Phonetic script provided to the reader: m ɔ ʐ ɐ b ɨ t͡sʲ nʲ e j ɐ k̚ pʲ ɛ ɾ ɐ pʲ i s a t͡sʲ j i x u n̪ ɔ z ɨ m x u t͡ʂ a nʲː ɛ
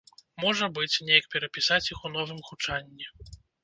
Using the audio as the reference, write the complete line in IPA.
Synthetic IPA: m ɔ ʐ ɐ b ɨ t͡sʲ nʲ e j ɐ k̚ pʲ ɛ ɾ ɐ pʲ i s a t͡sʲ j i x u n̪ ɔ v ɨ m x u t͡ʂ a nʲː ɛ